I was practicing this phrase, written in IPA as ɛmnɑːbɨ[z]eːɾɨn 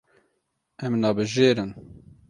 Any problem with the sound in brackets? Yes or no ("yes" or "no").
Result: yes